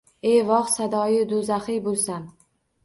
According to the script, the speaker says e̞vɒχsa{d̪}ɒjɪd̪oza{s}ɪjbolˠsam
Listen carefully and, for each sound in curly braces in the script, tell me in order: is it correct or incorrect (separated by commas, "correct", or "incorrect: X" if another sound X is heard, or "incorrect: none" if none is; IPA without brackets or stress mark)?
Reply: correct, incorrect: χ